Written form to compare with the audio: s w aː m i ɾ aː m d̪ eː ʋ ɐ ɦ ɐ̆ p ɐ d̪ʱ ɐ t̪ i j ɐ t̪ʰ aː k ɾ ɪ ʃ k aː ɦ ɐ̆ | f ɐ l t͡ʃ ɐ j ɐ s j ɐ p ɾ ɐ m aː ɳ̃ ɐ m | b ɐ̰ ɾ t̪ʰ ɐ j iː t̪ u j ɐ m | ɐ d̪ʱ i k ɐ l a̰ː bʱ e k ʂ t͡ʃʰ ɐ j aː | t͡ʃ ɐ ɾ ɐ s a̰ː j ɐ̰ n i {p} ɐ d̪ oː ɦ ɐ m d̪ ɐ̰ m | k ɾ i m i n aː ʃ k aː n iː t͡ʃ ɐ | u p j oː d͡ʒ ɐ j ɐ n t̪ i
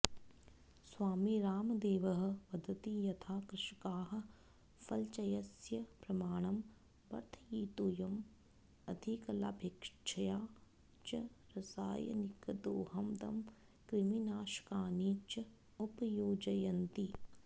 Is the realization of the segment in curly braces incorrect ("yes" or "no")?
yes